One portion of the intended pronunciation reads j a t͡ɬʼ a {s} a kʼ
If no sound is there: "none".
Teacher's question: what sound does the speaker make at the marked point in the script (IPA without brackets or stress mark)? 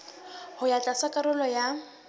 s